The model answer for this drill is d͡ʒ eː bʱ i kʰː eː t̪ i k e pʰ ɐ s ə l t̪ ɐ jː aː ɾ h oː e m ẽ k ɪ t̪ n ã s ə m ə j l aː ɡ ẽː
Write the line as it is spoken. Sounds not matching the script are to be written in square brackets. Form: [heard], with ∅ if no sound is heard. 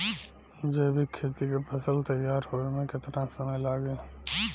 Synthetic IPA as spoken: d͡ʒ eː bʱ i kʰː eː t̪ i k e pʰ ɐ s ə l t̪ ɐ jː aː ɾ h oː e m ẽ k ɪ t̪ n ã s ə m ə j l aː ɡ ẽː